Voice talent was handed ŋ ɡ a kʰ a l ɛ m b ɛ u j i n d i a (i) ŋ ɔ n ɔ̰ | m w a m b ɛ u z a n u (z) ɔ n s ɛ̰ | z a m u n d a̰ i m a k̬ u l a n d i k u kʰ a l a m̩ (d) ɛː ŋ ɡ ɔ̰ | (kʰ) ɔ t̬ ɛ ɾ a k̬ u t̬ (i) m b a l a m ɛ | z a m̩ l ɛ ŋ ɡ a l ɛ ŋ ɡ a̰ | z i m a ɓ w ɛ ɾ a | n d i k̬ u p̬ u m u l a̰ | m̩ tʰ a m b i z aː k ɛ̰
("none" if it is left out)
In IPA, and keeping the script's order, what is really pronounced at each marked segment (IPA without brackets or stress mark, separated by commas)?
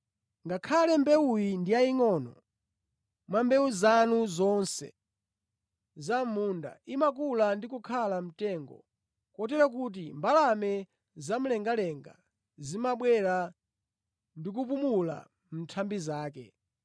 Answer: i, z, t, k, i